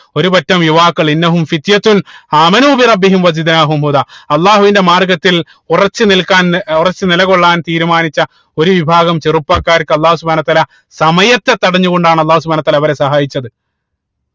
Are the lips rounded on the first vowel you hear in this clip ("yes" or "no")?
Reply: yes